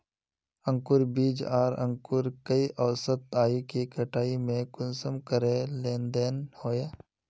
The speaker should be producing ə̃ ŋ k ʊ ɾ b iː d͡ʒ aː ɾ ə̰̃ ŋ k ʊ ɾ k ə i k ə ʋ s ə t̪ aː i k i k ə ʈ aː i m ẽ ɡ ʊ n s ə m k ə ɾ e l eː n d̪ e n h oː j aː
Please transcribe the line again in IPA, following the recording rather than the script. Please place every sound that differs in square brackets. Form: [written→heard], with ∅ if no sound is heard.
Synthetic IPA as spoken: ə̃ ŋ k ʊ ɾ b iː d͡ʒ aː ɾ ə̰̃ ŋ k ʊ ɾ k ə i [k→ʔ] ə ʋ s ə t̪ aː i k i k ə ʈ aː i m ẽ [ɡ→k] ʊ n s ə m k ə ɾ e l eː n d̪ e n h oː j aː